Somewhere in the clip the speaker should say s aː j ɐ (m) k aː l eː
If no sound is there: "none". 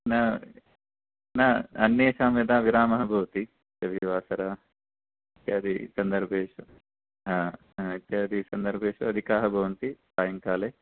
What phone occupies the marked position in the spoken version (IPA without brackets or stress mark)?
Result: ŋ